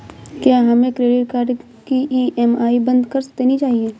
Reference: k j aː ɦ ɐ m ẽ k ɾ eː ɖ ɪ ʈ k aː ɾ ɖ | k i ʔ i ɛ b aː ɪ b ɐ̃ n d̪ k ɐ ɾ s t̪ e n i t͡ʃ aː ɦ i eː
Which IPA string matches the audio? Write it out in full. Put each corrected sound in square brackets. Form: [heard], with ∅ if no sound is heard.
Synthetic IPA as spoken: k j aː ɦ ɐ m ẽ k ɾ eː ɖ ɪ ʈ k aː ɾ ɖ | k i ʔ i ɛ [m] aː [i] b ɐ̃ n d̪ k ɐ ɾ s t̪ e n i t͡ʃ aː ɦ i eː